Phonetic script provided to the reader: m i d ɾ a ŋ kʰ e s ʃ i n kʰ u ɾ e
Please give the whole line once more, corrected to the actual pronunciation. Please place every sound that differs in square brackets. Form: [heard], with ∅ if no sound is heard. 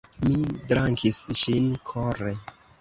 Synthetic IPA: m i d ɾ a ŋ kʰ [i] s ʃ i n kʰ [o] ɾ e